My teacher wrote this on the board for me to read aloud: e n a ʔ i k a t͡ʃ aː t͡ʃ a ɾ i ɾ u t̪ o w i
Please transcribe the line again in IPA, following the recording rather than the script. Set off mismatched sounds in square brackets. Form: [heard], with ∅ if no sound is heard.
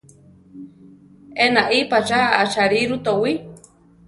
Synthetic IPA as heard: e n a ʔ i [p] a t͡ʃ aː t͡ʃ a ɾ i ɾ u t̪ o w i